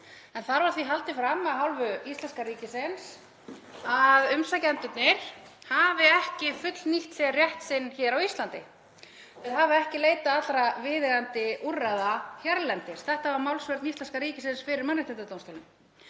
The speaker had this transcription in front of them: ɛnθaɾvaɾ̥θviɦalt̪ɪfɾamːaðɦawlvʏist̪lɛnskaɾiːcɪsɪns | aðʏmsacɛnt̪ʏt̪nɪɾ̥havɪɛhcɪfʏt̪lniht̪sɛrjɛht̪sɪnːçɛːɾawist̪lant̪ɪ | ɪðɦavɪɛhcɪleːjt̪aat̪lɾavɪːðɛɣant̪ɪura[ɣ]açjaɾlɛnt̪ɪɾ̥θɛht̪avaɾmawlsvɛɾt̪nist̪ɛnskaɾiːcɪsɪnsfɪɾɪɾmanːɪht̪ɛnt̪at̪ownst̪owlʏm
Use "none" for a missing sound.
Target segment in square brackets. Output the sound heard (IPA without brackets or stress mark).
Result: ð